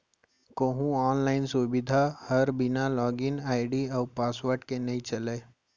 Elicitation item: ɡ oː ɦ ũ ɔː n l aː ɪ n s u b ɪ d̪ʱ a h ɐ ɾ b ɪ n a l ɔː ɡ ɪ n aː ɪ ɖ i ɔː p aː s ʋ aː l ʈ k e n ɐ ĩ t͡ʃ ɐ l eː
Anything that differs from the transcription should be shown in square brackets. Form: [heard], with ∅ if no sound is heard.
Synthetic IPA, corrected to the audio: [k] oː ɦ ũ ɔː n l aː ɪ n s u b ɪ d̪ʱ a h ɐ ɾ b ɪ n a l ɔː ɡ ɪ n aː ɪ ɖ i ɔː p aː s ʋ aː [ɾ] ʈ k e n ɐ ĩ t͡ʃ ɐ l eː